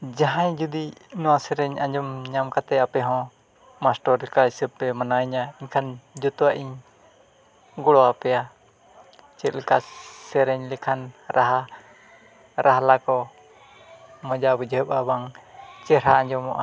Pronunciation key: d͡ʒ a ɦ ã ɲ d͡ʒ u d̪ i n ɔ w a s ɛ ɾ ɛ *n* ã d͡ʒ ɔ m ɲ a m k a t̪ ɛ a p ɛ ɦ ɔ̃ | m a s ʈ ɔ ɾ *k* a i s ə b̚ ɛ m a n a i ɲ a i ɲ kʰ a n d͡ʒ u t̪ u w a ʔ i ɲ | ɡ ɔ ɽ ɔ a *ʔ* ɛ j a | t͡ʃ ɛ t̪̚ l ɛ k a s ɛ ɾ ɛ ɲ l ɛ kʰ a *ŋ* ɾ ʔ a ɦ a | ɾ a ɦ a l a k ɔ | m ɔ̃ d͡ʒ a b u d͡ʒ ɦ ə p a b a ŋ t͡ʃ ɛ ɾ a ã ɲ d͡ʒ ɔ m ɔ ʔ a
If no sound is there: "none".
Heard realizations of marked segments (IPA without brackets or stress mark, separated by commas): ɲ, k, p, n